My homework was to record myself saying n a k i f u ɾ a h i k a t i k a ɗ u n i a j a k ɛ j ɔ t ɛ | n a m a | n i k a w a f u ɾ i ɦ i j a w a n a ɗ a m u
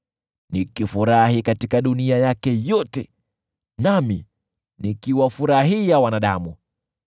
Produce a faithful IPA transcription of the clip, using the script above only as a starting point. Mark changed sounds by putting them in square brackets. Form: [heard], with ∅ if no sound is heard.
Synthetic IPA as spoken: n [i] k i f u ɾ a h i k a t i k a ɗ u n i a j a k ɛ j ɔ t ɛ | n a m [i] | n i k [i] w a f u ɾ [a] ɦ i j a w a n a ɗ a m u